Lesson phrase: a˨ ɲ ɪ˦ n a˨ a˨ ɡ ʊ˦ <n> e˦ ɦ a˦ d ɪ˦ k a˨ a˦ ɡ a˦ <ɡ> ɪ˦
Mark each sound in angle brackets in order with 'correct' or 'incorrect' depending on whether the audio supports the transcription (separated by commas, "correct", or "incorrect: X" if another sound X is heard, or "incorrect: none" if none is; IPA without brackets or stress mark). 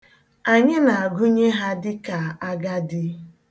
incorrect: ɲ, incorrect: d